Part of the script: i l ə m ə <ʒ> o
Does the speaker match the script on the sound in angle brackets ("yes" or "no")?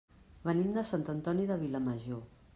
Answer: yes